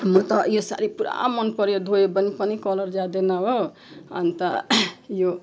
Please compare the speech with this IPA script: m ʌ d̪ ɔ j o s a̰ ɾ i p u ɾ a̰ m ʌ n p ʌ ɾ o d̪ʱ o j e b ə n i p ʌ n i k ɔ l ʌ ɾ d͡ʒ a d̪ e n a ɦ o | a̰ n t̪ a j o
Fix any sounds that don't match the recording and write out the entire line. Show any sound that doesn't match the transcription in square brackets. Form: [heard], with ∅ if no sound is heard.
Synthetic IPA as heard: m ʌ [t̪] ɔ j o s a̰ ɾ i p u ɾ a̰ m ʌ n p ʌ ɾ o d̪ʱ o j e b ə n i p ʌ n i k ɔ l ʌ ɾ d͡ʒ a d̪ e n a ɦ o | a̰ n t̪ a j o